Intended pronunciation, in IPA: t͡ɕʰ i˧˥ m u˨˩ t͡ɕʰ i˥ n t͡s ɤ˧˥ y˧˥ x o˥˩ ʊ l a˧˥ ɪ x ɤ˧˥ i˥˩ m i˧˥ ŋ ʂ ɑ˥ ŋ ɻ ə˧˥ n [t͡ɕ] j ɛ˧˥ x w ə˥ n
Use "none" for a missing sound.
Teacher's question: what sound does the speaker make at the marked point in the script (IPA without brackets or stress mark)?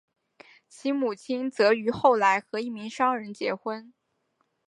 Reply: t͡ɕ